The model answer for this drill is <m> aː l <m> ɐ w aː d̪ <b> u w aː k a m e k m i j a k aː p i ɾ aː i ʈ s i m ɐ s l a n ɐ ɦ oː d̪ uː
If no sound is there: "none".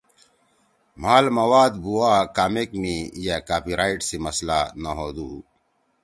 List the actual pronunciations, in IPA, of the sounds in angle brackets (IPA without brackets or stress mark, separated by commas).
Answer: m, m, b